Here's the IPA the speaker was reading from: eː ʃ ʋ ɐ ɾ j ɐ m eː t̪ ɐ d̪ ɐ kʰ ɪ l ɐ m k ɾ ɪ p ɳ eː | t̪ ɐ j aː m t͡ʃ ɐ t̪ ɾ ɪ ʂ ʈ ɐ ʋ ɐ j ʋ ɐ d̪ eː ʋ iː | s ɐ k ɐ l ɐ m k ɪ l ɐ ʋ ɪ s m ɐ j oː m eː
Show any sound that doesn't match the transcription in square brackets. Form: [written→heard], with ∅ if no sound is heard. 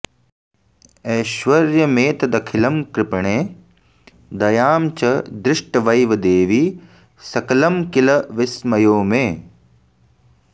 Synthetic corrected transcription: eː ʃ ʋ ɐ ɾ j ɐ m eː t̪ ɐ d̪ ɐ kʰ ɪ l ɐ m k ɾ ɪ p ɳ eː | [t̪→d̪] ɐ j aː m t͡ʃ ɐ [t̪→d̪] ɾ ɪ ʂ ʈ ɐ ʋ ɐ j ʋ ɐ d̪ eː ʋ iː | s ɐ k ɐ l ɐ m k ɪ l ɐ ʋ ɪ s m ɐ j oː m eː